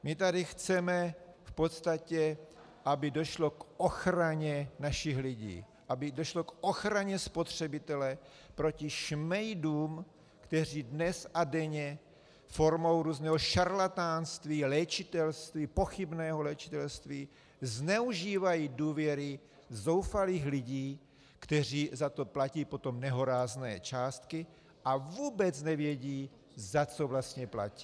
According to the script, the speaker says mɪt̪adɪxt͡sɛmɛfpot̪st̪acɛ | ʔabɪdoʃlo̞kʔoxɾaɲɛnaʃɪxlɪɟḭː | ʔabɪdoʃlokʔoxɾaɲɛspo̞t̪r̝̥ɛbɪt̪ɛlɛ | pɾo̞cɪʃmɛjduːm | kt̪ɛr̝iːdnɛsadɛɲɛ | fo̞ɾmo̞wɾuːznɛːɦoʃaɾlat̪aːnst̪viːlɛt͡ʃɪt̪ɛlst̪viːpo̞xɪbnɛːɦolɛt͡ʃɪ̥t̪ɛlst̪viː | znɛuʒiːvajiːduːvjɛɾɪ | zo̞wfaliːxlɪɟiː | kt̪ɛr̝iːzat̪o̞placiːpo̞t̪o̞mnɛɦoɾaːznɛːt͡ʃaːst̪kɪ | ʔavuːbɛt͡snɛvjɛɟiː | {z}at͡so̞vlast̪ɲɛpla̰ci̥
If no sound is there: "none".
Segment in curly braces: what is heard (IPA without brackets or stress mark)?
z